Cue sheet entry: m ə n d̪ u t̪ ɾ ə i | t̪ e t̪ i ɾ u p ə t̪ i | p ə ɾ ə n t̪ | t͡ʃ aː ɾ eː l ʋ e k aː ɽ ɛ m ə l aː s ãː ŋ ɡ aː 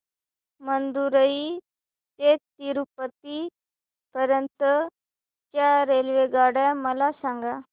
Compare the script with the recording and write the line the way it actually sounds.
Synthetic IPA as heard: m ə n d̪ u ɾ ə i | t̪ e t̪ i ɾ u p ə t̪ i | p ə ɾ ə n t̪ | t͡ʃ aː ɾ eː l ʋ e ɡ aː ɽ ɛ m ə l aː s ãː ŋ ɡ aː